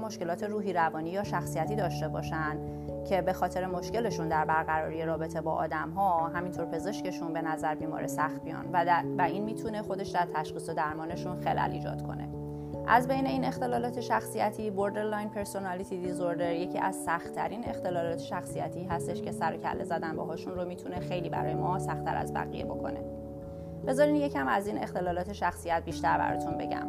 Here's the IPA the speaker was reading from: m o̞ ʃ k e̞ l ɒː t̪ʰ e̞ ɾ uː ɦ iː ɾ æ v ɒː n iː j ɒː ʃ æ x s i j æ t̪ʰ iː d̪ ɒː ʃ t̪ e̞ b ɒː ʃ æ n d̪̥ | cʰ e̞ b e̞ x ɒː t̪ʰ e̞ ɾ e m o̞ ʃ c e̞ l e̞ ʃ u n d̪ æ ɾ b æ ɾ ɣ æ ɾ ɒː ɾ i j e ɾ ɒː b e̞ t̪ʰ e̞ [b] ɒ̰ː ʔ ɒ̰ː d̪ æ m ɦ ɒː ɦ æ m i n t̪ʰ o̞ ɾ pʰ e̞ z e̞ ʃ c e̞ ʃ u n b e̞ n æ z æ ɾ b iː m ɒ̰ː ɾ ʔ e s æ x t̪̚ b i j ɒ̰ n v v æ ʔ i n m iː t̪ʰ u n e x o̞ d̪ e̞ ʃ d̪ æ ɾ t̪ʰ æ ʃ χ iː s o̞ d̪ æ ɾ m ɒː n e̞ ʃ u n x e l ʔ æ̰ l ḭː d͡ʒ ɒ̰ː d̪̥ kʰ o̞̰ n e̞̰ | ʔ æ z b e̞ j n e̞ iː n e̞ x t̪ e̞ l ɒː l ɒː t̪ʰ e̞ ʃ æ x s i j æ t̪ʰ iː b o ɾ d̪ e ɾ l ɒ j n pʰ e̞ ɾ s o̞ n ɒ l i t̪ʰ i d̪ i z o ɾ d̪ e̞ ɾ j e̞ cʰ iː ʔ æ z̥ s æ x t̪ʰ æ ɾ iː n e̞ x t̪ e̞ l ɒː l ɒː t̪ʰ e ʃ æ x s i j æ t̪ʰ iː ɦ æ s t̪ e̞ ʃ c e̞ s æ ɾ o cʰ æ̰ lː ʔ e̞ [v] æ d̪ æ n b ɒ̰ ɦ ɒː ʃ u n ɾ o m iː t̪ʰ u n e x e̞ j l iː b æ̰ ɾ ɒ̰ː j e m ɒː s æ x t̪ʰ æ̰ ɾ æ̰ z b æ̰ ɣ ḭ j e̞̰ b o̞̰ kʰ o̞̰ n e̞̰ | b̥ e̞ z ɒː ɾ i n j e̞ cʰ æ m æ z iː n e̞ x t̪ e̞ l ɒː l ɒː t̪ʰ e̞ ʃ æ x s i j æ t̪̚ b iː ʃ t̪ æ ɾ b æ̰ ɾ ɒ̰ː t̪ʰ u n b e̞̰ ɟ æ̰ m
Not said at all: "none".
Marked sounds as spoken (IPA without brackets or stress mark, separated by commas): b, z